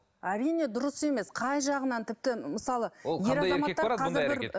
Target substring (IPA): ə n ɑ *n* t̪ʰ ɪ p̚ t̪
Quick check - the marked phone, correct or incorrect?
correct